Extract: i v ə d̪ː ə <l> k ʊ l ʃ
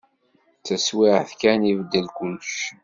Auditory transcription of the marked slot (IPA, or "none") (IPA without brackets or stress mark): l